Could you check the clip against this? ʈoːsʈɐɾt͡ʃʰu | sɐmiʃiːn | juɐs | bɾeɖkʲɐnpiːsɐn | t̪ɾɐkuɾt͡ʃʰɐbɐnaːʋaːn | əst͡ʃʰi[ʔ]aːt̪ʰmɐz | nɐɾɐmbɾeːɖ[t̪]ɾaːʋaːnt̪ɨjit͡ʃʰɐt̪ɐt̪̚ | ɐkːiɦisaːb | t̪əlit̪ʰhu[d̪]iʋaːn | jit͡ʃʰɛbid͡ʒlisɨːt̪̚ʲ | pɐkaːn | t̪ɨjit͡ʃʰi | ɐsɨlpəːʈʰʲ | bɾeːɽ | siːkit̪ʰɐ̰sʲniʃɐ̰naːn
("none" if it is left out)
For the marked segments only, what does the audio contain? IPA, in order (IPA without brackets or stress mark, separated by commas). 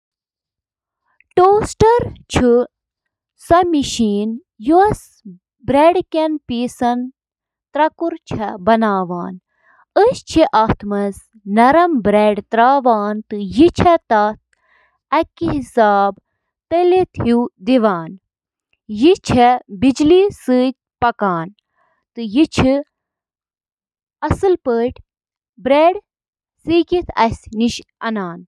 ʔ, t̪, d̪